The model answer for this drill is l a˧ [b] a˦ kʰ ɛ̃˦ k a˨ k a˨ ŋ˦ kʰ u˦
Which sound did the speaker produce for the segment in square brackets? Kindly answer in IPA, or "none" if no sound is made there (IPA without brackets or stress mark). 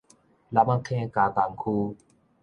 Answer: m